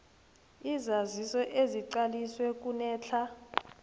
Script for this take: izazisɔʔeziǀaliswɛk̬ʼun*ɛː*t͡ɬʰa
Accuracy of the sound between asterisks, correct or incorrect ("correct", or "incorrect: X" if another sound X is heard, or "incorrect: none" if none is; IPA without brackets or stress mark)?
correct